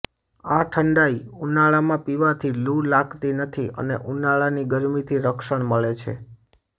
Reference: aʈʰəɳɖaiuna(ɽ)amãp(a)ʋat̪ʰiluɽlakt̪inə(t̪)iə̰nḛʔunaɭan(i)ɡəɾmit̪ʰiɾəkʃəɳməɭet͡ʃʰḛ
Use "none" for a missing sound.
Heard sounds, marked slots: ɭ, i, t̪ʰ, i

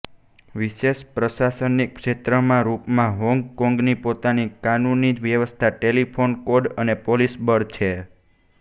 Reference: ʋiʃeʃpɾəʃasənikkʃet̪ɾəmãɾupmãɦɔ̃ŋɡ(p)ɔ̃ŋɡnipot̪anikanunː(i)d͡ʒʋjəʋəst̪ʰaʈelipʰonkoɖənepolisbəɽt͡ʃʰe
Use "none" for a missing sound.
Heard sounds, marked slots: k, i

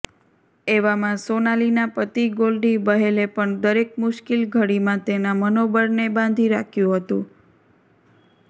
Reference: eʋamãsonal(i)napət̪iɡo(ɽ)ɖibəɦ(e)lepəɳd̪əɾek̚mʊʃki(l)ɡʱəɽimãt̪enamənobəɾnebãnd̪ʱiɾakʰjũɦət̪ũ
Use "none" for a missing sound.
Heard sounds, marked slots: i, l, e, l

